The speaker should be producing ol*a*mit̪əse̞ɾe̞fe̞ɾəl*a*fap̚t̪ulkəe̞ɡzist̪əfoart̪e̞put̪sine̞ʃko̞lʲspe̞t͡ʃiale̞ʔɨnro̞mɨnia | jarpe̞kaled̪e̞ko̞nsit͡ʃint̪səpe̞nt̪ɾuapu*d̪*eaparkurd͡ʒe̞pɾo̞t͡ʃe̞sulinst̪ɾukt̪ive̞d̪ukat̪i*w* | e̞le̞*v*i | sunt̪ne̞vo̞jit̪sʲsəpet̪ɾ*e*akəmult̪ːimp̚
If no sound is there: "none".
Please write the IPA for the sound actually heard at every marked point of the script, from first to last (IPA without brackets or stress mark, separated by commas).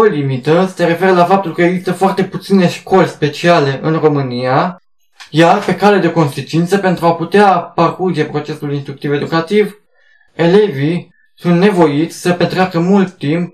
i, a, t̪, v, v, e